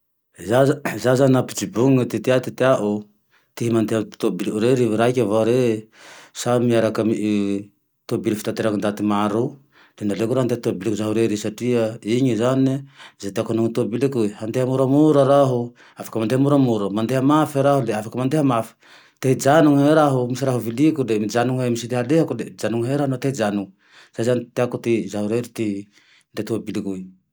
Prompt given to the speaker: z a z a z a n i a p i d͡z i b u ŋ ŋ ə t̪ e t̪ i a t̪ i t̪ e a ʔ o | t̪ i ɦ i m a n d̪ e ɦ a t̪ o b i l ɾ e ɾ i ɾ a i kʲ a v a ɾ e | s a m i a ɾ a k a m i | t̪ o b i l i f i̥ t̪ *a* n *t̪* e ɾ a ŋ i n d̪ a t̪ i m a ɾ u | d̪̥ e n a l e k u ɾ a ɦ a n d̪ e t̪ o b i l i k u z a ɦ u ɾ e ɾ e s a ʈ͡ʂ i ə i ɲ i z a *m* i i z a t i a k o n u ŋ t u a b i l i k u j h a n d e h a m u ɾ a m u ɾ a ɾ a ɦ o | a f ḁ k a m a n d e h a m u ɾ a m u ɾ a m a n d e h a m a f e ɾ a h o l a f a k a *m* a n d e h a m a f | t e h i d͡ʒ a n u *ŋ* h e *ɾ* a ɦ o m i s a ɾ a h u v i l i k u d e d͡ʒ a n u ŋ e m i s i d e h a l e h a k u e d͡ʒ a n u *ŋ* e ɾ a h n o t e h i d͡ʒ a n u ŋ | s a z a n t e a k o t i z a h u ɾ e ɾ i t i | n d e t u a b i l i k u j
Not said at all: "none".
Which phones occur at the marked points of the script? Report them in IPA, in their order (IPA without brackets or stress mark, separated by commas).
a, t̪, n, m, ŋ, ɾ, ŋ